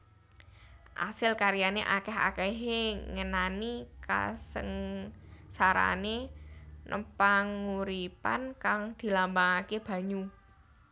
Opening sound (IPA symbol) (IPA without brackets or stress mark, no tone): ʔ